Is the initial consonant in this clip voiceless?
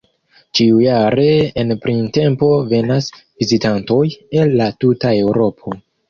yes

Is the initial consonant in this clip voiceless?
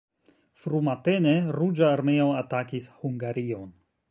yes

